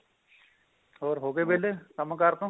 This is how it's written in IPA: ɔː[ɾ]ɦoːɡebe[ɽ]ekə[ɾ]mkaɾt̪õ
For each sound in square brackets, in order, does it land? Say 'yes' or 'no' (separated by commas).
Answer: yes, no, no